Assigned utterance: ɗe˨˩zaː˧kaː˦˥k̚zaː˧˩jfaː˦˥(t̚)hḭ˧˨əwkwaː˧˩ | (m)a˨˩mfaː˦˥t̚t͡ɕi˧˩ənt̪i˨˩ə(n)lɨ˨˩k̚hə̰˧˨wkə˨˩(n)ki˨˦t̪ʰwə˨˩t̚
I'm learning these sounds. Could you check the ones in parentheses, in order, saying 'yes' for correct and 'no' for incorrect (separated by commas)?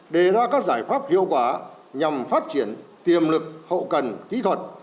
no, no, no, yes